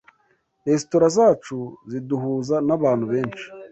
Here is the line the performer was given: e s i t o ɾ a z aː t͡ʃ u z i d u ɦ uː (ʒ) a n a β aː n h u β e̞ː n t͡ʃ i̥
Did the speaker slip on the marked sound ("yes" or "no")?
yes